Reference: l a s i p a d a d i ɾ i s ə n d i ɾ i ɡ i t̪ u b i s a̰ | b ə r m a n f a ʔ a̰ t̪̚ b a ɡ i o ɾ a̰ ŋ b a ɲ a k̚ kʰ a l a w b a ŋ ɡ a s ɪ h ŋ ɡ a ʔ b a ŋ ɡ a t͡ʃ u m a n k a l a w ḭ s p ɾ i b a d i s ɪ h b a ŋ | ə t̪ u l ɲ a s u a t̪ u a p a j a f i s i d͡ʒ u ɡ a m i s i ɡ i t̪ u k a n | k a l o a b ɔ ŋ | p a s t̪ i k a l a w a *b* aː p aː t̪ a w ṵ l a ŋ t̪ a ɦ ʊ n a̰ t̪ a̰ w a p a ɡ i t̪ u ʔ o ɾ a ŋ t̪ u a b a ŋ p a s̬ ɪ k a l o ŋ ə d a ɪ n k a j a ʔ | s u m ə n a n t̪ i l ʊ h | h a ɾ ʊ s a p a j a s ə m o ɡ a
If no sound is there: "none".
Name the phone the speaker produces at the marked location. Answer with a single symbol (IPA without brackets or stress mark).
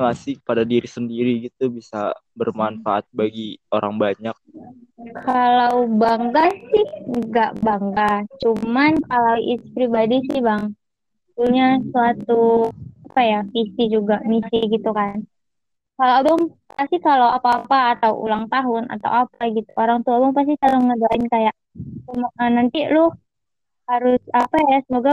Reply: p